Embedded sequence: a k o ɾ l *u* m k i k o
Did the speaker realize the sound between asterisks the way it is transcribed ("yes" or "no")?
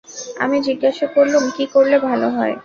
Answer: yes